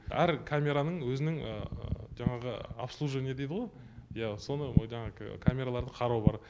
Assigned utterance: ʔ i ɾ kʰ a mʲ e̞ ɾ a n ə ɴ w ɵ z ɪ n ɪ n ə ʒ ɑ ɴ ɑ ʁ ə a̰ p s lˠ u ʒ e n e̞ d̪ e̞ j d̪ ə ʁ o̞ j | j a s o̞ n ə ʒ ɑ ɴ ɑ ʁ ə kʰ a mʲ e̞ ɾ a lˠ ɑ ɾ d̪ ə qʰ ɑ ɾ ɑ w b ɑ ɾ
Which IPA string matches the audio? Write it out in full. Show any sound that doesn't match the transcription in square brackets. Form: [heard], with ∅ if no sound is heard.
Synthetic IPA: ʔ [æ] ɾ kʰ a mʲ e̞ ɾ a n ə ɴ w ɵ z ɪ n ɪ [ŋ] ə ʒ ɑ ɴ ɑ ʁ ə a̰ p s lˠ u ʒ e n e̞ d̪ e̞ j d̪ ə ʁ o̞ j | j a s o̞ n ə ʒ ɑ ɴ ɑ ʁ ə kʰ a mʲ e̞ ɾ a lˠ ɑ ɾ d̪ ə qʰ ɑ ɾ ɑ w b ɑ ɾ